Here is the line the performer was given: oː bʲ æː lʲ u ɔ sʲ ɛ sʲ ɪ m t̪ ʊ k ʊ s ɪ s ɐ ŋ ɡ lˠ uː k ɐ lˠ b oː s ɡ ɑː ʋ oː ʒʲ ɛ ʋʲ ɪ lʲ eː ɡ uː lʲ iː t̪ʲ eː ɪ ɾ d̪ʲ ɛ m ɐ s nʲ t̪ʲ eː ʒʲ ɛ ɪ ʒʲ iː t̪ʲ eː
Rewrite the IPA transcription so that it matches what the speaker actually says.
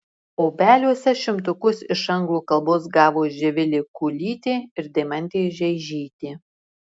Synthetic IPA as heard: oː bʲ æː lʲ u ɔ sʲ ɛ ʃʲ ɪ m t̪ ʊ k ʊ s ɪ ʃ ɐ ŋ ɡ lˠ uː k ɐ lˠ b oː s ɡ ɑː ʋ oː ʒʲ ɛ ʋʲ ɪ lʲ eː k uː lʲ iː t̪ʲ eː ɪ ɾ d̪ʲ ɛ m ɐ nʲ t̪ʲ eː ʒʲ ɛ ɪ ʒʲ iː t̪ʲ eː

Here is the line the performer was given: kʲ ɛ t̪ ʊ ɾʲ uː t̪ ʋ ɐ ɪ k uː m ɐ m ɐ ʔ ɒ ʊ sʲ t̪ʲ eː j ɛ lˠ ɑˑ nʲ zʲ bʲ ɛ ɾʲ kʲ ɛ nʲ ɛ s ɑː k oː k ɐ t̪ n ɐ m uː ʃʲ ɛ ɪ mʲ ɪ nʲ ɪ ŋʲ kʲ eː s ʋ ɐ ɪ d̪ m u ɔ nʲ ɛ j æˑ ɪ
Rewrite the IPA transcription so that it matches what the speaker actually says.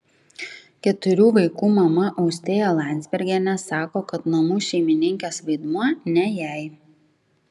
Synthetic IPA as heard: kʲ ɛ t̪ ʊ ɾʲ uː ʋ ɐ ɪ k uː m ɐ m ɐ ʔ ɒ ʊ sʲ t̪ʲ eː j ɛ lˠ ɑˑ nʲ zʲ bʲ ɛ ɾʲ ɡʲ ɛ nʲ ɛ s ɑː k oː k ɐ t̪ n ɐ m uː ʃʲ ɛ ɪ mʲ ɪ nʲ ɪ ŋʲ kʲ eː s ʋ ɐ ɪ d̪ m u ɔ nʲ ɛ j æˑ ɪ

